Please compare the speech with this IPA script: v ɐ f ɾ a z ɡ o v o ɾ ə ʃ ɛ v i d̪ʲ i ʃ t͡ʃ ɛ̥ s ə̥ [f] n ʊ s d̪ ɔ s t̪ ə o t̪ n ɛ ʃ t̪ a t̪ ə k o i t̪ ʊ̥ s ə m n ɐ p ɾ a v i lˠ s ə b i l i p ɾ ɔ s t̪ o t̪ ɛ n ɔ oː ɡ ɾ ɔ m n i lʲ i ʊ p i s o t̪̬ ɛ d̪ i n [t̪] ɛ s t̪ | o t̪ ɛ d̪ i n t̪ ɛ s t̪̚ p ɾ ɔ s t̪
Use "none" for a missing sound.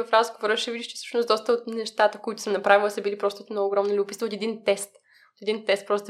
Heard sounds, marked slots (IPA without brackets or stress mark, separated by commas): ʃ, t̪